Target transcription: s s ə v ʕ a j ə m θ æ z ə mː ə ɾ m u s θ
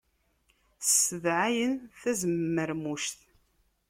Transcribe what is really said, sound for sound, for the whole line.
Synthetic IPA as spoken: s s ə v ʕ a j ə n θ æ z ə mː ə ɾ m u ʃ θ